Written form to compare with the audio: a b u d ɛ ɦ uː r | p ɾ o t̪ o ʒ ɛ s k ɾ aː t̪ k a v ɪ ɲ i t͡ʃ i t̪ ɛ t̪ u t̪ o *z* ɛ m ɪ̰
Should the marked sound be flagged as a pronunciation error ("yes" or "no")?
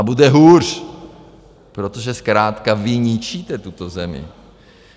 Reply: no